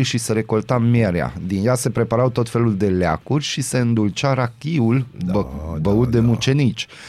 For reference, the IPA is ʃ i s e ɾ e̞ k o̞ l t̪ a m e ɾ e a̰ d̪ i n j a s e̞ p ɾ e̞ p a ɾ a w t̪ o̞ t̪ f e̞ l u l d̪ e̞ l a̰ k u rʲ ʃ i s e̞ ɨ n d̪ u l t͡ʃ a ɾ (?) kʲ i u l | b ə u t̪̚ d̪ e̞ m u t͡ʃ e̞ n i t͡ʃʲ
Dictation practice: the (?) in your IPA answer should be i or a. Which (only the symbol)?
a